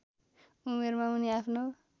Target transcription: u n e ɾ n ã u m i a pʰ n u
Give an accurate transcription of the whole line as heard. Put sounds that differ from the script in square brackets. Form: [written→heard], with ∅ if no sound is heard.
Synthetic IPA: u [n→m] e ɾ [n→m] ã u [m→n] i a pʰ n [u→o]